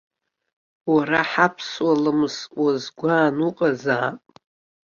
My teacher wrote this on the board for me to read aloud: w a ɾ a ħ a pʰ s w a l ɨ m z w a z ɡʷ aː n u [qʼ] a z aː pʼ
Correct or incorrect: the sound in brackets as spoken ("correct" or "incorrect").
correct